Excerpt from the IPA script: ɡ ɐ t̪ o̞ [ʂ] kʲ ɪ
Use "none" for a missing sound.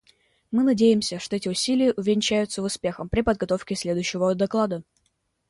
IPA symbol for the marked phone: f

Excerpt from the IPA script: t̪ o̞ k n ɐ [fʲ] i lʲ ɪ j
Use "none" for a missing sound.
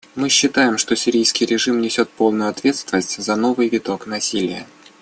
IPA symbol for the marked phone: sʲ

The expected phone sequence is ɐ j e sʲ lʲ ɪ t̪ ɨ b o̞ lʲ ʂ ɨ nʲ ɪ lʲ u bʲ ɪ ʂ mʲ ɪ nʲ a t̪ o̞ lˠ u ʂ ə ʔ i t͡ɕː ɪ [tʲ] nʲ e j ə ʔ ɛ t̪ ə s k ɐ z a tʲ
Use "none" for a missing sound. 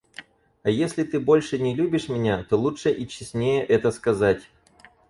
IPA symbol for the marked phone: sʲ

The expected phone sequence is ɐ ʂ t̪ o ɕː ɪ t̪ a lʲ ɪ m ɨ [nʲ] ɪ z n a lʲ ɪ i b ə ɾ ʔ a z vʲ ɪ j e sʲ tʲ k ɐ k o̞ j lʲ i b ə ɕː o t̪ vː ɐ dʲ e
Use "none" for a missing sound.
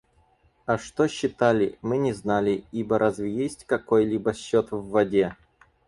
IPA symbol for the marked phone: nʲ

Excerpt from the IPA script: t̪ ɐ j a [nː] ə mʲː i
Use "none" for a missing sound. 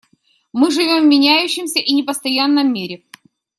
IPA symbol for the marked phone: nː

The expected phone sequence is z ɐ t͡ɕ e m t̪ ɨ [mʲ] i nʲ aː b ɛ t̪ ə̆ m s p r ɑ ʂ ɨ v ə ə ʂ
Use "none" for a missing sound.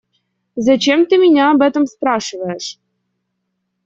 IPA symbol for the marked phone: mʲ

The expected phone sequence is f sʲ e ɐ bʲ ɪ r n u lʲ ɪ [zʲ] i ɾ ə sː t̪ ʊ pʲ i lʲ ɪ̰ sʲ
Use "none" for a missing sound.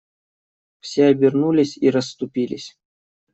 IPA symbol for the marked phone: sʲ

